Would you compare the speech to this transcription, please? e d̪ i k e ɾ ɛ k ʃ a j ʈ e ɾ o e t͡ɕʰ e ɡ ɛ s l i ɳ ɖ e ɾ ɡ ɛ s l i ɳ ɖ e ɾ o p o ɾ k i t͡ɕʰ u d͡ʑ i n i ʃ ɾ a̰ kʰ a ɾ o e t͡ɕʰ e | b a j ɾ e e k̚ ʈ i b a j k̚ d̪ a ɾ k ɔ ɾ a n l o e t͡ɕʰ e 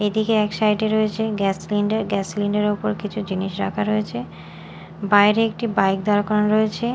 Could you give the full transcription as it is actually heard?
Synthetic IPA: e d̪ i k e ɛ k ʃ a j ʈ e ɾ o e t͡ɕʰ e ɡ ɛ s l i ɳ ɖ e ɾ ɡ ɛ s l i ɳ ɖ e ɾ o p o ɾ k i t͡ɕʰ u d͡ʑ i n i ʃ ɾ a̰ kʰ a ɾ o e t͡ɕʰ e | b a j ɾ e e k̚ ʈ i b a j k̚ d̪ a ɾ k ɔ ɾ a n ɾ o e t͡ɕʰ e